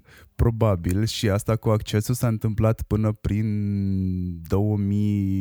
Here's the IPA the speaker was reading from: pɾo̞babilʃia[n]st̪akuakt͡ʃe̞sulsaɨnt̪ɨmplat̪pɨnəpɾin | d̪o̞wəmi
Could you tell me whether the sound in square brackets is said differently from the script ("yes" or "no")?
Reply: yes